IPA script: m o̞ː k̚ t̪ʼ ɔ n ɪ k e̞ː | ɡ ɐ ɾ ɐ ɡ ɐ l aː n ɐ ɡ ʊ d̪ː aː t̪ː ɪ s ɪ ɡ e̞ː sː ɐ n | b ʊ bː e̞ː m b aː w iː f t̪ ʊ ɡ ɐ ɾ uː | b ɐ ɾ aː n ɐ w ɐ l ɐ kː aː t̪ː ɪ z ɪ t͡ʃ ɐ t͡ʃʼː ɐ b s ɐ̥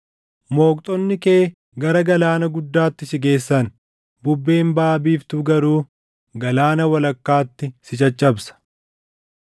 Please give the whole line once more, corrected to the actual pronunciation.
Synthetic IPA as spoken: m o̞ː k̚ t̪ʼ ɔ nː ɪ k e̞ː | ɡ ɐ ɾ ɐ ɡ ɐ l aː n ɐ ɡ ʊ d̪ː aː t̪ː ɪ s ɪ ɡ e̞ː sː ɐ n | b ʊ bː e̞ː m b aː b iː f t̪ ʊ ɡ ɐ ɾ uː | ɡ ɐ l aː n ɐ w ɐ l ɐ kː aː t̪ː ɪ s ɪ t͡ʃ ɐ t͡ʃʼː ɐ b s ɐ̥